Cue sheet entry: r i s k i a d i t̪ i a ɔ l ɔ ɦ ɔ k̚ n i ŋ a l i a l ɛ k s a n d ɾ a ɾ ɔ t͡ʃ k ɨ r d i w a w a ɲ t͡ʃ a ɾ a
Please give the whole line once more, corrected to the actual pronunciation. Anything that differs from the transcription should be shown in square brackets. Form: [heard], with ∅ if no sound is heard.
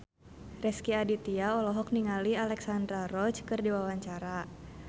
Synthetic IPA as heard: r [ɛ] s k i a d i t̪ i a ɔ l ɔ ɦ ɔ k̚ n i ŋ a l i a l ɛ k s a n d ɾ a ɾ ɔ t͡ʃ k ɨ r d i w a w a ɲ t͡ʃ a ɾ a